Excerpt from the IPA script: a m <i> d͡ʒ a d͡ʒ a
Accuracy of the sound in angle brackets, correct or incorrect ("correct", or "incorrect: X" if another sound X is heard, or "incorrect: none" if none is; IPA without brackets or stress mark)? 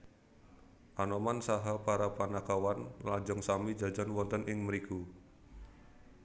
correct